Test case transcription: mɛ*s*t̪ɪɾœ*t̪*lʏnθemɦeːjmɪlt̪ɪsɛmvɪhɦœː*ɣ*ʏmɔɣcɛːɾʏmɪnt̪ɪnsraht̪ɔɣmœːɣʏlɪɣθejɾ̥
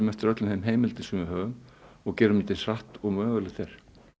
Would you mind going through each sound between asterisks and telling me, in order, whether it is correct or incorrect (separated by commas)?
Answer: incorrect, correct, correct